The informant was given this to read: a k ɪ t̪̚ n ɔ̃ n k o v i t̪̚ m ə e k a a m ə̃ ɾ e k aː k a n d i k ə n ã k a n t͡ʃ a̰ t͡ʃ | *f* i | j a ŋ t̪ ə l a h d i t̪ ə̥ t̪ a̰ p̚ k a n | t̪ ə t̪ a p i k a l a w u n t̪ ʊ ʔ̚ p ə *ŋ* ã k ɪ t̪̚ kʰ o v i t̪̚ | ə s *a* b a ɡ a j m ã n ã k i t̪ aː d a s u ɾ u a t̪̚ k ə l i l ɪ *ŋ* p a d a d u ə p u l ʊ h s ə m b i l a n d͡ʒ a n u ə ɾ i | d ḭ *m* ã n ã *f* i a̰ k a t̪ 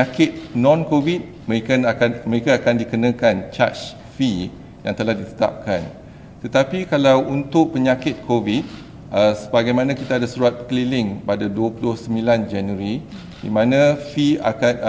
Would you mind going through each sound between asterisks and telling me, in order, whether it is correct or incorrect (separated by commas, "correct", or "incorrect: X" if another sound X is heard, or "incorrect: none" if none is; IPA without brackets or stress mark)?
correct, incorrect: ɲ, incorrect: ə, correct, correct, correct